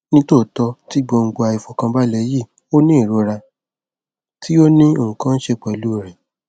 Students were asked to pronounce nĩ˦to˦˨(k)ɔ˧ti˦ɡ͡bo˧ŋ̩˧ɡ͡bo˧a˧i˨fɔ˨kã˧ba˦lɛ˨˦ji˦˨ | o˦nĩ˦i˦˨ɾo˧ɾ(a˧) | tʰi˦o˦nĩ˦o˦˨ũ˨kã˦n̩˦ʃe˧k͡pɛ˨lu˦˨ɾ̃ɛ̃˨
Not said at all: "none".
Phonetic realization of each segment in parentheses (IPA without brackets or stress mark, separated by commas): t, a˧